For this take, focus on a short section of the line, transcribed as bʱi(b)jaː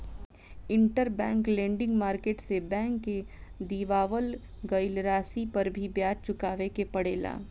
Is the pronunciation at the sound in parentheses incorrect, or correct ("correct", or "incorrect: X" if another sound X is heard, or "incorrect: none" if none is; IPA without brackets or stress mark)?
correct